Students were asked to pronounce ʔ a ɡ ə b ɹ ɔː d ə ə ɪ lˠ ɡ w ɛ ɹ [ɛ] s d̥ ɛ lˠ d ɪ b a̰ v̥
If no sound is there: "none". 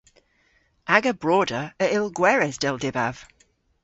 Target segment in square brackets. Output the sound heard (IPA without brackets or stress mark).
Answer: ɛ